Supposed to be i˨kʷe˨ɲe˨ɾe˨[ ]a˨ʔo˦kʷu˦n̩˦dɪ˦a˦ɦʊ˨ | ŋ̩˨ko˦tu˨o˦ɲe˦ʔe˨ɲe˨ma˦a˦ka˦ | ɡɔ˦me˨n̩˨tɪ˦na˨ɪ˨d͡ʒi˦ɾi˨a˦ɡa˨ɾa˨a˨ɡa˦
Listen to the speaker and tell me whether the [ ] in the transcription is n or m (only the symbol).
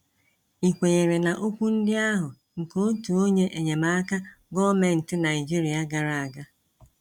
n